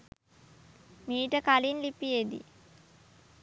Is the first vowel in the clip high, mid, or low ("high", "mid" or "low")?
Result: high